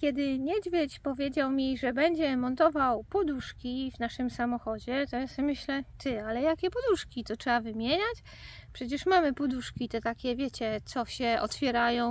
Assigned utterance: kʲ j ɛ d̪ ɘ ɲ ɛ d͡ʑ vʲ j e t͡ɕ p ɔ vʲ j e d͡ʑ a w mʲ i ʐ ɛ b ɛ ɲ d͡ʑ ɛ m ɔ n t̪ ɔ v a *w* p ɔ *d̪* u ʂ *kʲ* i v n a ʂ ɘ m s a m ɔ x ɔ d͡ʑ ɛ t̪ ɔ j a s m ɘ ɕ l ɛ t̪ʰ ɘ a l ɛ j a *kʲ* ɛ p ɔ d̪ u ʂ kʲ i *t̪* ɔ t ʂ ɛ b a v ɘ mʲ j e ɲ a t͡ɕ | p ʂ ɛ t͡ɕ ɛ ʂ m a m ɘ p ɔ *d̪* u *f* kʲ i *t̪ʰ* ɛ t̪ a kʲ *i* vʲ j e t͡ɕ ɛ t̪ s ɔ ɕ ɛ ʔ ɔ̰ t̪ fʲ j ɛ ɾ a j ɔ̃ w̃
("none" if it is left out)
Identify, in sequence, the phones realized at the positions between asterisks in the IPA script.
w, d̪, kʲ, kʲ, t̪, d̪, ʂ, t̪, ɛ

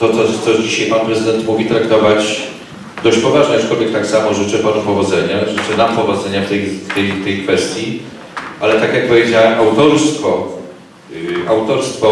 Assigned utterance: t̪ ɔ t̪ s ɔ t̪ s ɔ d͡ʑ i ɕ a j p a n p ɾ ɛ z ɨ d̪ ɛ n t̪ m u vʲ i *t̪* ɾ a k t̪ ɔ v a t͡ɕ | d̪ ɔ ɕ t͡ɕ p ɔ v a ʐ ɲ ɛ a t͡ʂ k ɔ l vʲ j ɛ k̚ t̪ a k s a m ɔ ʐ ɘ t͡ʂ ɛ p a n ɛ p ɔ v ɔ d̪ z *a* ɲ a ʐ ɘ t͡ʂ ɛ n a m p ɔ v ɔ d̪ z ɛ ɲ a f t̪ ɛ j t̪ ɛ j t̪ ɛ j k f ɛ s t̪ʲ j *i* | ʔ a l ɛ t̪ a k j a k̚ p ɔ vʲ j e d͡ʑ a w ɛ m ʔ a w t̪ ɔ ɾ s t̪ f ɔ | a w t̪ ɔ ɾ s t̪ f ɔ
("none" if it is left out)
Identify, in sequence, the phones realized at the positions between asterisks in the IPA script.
t̪, ɛ, i

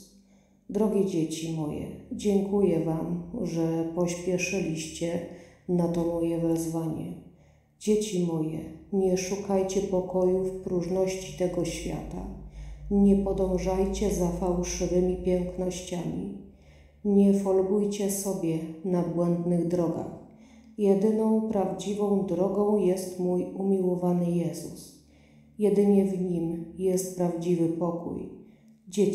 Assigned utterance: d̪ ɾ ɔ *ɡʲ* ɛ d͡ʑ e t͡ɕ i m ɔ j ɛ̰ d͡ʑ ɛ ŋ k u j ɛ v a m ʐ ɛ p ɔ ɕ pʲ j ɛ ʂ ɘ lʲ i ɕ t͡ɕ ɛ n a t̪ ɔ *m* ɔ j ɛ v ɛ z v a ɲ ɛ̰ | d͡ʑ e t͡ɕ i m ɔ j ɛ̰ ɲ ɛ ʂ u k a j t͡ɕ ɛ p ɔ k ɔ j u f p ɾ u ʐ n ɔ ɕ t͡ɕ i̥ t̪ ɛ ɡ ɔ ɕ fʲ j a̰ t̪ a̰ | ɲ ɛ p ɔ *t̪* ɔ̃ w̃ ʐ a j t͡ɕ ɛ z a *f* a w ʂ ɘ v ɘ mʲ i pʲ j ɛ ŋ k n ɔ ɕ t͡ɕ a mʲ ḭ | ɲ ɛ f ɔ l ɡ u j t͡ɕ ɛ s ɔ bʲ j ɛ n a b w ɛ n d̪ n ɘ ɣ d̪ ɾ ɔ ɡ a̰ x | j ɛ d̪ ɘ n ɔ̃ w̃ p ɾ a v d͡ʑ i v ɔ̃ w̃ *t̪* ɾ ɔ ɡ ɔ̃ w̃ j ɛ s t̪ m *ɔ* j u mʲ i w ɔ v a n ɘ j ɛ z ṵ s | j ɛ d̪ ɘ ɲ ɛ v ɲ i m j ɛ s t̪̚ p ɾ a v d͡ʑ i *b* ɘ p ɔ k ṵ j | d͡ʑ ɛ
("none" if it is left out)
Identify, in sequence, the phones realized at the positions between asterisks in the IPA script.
ɡʲ, m, d̪, f, d̪, u, v

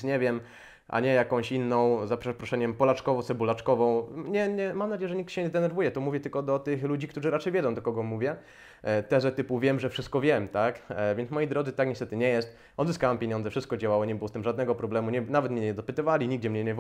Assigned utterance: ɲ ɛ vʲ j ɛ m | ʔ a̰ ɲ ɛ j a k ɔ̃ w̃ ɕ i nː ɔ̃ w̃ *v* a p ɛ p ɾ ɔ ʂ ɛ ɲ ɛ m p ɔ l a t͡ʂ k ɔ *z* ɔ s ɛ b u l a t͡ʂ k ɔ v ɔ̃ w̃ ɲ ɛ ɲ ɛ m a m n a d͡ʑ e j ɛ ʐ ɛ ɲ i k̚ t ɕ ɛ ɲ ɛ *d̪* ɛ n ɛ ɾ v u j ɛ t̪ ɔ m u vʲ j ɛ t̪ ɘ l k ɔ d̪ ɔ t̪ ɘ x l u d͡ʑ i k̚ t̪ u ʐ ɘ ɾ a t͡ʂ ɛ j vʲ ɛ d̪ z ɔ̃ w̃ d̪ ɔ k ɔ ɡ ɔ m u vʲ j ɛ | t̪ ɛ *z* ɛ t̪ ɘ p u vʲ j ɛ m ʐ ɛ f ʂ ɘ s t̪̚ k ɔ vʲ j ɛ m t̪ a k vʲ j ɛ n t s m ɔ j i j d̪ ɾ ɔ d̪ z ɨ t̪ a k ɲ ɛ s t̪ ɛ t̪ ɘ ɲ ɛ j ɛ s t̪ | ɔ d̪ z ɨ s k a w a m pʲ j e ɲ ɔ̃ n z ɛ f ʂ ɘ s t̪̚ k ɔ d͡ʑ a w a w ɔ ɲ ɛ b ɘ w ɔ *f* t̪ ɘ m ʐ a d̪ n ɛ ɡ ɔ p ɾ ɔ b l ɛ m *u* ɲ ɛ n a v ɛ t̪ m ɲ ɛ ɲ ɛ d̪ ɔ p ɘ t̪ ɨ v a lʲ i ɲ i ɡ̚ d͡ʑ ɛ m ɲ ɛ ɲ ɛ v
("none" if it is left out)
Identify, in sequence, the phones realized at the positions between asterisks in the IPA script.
z, v, d̪, z, s, u

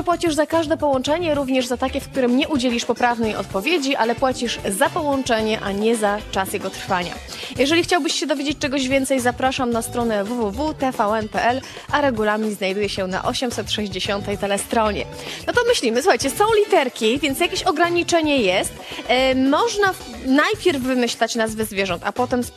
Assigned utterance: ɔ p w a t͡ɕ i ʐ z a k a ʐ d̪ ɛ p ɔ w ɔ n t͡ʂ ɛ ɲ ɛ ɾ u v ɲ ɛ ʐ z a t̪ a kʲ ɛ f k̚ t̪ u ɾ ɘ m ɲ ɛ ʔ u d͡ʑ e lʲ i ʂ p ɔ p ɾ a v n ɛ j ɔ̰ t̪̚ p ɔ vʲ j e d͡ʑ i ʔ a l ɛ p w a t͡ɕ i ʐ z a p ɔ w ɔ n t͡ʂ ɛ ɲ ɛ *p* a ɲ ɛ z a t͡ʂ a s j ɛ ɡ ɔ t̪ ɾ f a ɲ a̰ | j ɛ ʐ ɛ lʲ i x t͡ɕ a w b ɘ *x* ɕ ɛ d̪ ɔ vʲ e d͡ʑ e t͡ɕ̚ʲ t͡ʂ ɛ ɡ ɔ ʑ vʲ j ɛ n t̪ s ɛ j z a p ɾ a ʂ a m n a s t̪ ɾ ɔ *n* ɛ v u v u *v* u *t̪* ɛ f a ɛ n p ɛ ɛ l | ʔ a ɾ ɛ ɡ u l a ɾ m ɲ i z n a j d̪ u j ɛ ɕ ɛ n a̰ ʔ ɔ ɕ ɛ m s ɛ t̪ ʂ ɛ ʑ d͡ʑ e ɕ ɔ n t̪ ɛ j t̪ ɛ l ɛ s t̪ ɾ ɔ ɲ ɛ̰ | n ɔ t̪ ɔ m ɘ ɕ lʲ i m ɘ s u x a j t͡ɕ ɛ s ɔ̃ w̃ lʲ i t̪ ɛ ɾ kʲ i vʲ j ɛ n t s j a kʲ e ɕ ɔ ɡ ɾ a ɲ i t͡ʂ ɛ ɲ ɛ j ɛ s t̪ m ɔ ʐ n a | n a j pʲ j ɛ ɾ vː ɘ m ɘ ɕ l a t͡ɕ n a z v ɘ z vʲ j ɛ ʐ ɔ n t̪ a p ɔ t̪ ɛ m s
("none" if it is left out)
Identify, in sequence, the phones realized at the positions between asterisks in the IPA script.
ʔ, ɕ, n, v, t̪

